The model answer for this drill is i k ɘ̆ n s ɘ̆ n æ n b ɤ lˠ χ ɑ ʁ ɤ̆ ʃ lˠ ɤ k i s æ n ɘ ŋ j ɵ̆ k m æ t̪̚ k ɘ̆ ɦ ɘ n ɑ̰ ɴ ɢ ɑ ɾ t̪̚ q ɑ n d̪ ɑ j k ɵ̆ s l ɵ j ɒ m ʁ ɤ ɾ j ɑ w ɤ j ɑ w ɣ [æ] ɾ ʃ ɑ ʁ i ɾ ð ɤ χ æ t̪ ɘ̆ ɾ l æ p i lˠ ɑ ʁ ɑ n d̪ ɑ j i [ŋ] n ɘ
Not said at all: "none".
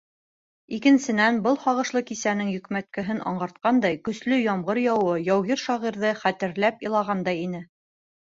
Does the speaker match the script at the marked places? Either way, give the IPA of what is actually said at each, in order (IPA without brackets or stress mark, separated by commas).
i, none